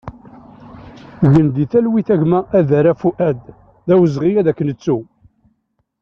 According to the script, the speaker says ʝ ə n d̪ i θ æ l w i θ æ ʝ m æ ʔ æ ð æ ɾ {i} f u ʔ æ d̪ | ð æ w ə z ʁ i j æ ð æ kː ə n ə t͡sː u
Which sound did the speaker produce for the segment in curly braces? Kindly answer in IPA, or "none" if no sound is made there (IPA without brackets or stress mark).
æ